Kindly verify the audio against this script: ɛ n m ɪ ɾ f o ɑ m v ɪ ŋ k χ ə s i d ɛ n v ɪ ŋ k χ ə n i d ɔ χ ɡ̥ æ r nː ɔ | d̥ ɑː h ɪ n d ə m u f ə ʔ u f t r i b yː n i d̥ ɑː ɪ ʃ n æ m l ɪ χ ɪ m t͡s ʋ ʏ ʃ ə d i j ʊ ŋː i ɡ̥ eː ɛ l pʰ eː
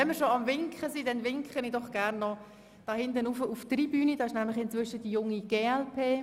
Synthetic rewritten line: ɛ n m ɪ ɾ ʃ o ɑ m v ɪ ŋ k χ ə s i d ɛ n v ɪ ŋ k χ ə n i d ɔ χ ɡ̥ æ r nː ɔ | d̥ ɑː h ɪ n d ə n u f ə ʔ u f t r i b yː n i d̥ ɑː ɪ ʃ n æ m l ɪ χ ɪ n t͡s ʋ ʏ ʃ ə d i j ʊ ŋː i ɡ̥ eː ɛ l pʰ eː